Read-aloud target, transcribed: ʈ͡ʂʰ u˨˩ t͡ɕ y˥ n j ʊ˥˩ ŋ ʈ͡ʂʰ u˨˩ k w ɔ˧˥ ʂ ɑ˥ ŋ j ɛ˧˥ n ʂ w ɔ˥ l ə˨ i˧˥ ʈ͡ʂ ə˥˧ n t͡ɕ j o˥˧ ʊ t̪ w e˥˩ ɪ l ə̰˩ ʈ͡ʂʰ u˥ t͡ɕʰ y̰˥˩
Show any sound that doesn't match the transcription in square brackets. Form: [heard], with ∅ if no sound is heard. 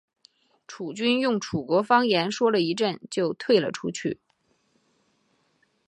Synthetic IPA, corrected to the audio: ʈ͡ʂʰ u˨˩ t͡ɕ y˥ n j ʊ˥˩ ŋ ʈ͡ʂʰ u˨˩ k w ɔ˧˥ [f] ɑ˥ ŋ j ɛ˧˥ n ʂ w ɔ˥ l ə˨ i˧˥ ʈ͡ʂ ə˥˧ n t͡ɕ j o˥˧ ʊ [t̪ʰ] w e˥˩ ɪ l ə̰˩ ʈ͡ʂʰ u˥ t͡ɕʰ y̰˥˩